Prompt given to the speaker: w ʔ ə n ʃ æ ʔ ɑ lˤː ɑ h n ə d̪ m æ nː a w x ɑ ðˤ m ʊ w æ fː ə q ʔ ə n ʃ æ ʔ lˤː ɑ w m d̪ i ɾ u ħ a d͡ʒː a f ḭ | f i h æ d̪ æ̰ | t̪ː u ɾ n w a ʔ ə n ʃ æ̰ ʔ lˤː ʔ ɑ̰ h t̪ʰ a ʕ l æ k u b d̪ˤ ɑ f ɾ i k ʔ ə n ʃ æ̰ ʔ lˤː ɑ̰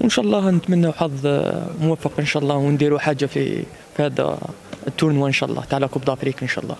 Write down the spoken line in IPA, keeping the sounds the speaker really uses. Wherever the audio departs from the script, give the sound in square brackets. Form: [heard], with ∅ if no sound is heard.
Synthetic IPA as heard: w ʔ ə n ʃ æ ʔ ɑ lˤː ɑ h n ə [t̪] m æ nː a w [ħ] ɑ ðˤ m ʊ w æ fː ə q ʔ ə n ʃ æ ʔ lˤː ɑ w [n] d̪ i ɾ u ħ a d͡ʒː a f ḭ | f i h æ d̪ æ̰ | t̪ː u ɾ n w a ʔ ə n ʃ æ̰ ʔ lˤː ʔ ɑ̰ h [t̪] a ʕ l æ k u b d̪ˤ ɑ f ɾ i k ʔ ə n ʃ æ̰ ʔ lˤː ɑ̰